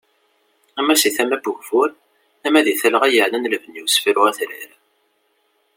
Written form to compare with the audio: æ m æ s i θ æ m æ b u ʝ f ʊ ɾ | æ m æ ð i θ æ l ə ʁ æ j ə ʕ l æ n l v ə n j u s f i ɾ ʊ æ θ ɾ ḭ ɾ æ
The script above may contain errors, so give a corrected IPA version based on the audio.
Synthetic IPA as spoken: æ m æ s i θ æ m æ b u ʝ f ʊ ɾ | æ m æ ð i θ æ l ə ʁ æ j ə ʕ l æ n l v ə n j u s f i ɾ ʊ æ θ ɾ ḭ ɾ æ